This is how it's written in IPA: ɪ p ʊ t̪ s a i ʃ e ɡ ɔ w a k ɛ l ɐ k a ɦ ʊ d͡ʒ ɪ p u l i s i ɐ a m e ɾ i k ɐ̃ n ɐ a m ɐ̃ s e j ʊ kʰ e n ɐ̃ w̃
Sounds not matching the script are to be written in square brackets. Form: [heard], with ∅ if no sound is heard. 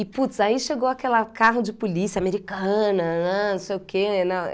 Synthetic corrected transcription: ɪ p [u] t̪ s a i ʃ e ɡ [o] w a k ɛ l ɐ k a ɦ ʊ d͡ʒ ɪ p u l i s i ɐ a m e ɾ i k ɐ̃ n ɐ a [n] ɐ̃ s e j ʊ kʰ e n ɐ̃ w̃